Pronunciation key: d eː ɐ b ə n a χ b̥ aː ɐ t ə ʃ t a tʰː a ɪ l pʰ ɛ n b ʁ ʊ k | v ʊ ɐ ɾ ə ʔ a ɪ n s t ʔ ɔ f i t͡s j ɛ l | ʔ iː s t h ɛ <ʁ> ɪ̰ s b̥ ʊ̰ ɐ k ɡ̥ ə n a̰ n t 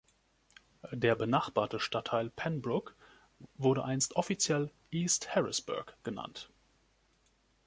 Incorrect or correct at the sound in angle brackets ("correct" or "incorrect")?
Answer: correct